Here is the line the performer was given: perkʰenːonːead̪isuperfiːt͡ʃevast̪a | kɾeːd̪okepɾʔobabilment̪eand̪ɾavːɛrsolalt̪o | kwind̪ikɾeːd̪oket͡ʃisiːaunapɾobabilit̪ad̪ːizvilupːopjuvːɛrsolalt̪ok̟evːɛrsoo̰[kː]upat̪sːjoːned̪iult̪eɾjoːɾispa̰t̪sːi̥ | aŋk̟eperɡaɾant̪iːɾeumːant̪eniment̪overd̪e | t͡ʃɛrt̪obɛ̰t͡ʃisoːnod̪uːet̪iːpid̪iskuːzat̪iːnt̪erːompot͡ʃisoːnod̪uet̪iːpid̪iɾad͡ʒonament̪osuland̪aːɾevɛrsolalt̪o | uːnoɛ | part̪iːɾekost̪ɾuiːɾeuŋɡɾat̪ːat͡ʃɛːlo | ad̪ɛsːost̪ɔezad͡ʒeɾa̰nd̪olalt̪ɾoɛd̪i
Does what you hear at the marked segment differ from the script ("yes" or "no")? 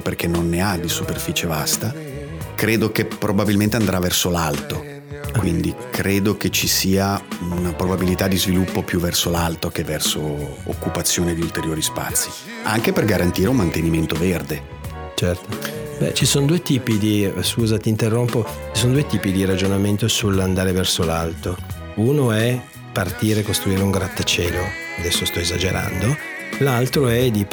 no